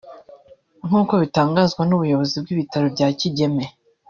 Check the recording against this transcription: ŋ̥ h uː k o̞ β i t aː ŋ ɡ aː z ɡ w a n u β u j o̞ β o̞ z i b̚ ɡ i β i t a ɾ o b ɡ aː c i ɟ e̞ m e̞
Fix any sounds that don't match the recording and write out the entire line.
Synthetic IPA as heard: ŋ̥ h uː k o̞ β i t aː ŋ ɡ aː z ɡ w a n u β u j o̞ β o̞ z i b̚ ɡ i β i t a ɾ o b ɟ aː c i ɟ e̞ m e̞